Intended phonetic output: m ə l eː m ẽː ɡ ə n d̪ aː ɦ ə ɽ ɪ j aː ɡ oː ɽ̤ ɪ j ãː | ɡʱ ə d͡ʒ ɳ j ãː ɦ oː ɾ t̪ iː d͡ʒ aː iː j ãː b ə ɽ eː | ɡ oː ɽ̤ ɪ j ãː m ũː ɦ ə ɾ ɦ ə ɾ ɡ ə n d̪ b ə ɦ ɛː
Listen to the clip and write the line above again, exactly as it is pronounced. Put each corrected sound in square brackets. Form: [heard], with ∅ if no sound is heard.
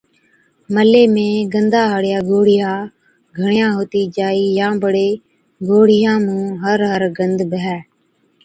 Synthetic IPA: m ə l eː m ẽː ɡ ə n d̪ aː ɦ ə ɽ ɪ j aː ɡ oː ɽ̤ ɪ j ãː | ɡʱ ə [∅] ɳ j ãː ɦ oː [∅] t̪ iː d͡ʒ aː iː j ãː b ə ɽ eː | ɡ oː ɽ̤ ɪ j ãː m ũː ɦ ə ɾ ɦ ə ɾ ɡ ə n d̪ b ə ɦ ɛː